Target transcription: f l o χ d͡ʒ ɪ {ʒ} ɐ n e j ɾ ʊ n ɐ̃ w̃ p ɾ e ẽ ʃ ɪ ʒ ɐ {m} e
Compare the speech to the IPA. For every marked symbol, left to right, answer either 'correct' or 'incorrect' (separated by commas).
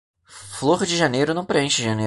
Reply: correct, incorrect